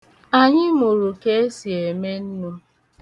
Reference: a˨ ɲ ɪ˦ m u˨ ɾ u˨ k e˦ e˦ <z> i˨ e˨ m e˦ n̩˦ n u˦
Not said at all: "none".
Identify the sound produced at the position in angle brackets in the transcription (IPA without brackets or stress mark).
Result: s